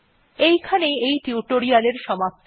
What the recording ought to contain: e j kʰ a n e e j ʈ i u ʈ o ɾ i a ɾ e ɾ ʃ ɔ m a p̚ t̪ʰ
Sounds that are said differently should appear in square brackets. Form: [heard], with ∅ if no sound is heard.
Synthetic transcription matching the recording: e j kʰ a n e e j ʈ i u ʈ o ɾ i a [l] e ɾ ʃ ɔ m a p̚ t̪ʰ